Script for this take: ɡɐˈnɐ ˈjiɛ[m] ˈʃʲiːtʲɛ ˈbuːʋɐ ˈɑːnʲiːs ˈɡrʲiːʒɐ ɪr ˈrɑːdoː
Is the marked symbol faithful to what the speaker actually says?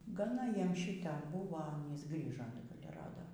yes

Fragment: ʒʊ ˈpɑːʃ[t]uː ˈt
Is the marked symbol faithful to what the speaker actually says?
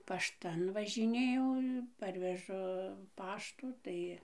yes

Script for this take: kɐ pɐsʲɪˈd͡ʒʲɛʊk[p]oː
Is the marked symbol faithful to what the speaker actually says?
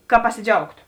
no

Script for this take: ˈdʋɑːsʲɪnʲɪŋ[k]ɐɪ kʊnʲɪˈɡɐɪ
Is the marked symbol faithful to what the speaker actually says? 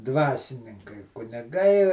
yes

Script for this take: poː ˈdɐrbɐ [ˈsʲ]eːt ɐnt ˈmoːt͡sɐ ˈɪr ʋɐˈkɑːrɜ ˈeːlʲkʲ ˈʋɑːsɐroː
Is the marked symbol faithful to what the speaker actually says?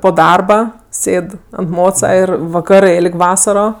yes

